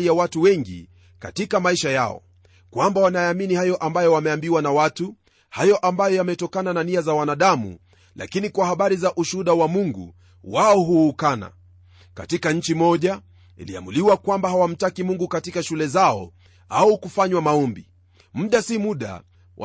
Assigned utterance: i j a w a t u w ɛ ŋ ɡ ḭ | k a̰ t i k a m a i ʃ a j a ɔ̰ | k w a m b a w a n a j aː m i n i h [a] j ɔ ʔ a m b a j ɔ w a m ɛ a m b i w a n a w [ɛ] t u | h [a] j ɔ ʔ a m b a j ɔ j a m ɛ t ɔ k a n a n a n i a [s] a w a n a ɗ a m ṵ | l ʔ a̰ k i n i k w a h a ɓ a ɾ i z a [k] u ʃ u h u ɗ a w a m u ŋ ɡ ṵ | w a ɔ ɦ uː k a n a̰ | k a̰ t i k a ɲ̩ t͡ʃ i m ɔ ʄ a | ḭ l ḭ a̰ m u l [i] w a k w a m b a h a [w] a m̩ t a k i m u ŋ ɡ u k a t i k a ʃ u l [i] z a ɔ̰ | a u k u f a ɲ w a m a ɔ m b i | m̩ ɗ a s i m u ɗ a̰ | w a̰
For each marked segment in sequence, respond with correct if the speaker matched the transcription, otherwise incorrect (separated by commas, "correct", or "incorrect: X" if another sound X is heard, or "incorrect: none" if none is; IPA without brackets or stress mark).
correct, incorrect: a, correct, incorrect: z, incorrect: ʔ, correct, correct, incorrect: ɛ